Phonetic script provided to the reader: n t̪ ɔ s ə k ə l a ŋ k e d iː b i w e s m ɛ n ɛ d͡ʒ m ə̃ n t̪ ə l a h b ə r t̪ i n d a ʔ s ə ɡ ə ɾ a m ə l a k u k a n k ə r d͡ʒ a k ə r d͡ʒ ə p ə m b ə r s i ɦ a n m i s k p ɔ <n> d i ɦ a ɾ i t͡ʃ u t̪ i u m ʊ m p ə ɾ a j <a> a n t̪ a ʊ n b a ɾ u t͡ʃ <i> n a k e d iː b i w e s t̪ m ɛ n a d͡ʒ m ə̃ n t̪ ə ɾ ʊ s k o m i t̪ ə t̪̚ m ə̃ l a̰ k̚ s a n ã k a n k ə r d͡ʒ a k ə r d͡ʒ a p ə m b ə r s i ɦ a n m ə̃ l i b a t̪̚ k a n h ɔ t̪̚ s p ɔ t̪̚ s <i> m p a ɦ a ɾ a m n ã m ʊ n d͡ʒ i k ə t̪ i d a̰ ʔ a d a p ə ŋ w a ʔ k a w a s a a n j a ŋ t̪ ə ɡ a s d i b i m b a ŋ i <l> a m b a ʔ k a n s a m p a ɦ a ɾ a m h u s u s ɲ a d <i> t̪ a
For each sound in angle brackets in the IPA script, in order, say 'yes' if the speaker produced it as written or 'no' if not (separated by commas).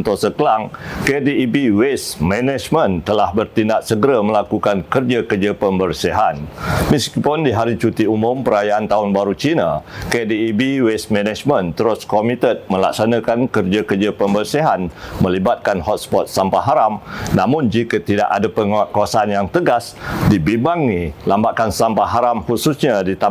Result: yes, yes, yes, no, yes, yes